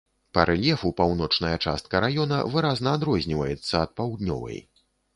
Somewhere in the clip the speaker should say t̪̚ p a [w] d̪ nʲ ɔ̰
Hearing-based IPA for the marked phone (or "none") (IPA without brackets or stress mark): w